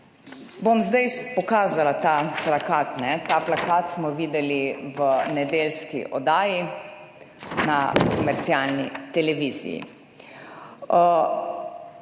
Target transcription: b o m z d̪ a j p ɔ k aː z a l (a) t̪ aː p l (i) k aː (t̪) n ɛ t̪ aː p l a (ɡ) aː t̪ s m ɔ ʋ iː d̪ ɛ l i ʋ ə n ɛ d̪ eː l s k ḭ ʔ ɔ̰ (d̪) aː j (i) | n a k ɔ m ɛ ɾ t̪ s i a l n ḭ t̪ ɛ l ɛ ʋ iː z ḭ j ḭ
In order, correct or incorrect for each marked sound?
correct, incorrect: a, correct, incorrect: k, correct, correct

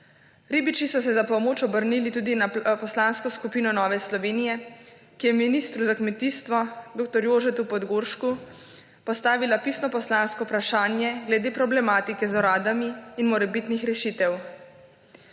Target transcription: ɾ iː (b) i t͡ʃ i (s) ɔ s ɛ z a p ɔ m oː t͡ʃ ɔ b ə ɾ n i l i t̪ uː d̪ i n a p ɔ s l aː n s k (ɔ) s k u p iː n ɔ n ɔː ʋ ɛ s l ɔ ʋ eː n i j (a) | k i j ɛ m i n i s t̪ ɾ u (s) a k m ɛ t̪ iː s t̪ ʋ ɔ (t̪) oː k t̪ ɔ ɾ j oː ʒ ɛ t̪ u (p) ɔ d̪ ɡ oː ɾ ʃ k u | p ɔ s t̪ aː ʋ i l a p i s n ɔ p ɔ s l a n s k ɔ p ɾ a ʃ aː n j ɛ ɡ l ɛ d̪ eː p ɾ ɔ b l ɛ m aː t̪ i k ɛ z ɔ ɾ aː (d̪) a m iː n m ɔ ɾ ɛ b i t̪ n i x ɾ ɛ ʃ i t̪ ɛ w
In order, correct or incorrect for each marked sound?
correct, correct, correct, incorrect: ɛ, incorrect: z, incorrect: d̪, correct, correct

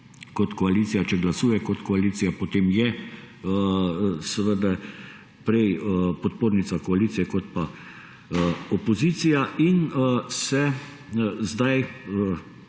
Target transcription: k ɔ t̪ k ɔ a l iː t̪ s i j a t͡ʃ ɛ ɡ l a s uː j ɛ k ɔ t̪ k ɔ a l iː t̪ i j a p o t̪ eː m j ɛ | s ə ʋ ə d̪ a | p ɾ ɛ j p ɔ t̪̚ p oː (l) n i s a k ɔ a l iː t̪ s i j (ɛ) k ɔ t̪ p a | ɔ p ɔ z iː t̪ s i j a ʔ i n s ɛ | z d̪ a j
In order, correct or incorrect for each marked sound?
incorrect: ɾ, correct

